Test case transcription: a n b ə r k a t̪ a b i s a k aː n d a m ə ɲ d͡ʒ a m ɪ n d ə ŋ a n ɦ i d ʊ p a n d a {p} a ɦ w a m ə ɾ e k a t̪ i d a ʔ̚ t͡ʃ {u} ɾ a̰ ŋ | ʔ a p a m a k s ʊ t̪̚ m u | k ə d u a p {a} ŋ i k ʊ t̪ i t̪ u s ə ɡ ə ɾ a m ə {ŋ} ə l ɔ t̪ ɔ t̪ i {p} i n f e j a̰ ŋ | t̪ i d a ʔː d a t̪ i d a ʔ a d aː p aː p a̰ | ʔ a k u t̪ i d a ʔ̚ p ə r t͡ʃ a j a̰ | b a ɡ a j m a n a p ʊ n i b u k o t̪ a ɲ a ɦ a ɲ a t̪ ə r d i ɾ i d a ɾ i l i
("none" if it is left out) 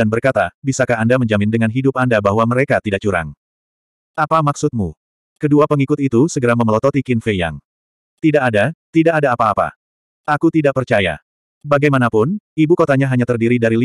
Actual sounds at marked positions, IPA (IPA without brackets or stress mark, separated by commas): b, u, ə, m, k